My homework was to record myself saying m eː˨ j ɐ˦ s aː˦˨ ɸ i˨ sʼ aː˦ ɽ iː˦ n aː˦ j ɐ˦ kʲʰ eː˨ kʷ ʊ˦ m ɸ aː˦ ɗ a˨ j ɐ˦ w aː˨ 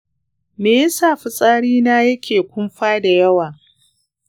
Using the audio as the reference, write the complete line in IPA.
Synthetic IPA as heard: m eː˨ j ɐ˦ s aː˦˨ ɸ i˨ sʼ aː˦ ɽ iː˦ n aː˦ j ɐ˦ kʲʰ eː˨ kʷ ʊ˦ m ɸ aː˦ d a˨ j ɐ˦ w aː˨